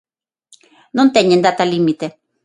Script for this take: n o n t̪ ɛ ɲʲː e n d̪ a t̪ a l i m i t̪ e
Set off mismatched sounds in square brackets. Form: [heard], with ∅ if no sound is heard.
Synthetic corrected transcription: n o n t̪ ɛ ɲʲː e n d̪ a t̪ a l i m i t̪ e